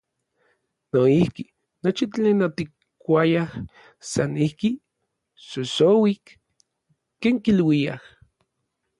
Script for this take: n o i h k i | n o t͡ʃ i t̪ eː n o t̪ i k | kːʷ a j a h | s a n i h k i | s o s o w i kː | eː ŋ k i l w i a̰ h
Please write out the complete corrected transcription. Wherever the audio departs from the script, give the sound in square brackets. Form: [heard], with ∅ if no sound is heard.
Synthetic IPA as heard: n o i h k i | n o t͡ʃ i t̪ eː n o t̪ i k | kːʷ a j a h | s a n i h k i | s o s o w i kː | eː ŋ k i l w i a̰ h